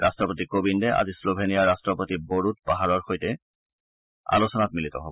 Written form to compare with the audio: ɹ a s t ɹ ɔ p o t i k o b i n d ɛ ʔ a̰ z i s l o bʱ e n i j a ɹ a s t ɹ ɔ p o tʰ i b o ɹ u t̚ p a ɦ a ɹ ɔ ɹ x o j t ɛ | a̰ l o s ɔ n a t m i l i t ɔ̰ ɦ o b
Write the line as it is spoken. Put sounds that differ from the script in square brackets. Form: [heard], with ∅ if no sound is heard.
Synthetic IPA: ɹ a s t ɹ ɔ p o t i k o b i n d ɛ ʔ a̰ z i s l o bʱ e n i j a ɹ a s t ɹ ɔ p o [t] i b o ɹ u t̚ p a ɦ a ɹ ɔ ɹ x o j t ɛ | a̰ l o s ɔ n a t m i l i t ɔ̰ ɦ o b